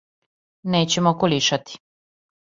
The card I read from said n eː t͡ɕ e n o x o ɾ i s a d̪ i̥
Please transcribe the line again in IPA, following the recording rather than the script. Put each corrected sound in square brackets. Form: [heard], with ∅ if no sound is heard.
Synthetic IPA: n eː t͡ɕ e [m] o [k] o [l] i [ʃ] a [t̪] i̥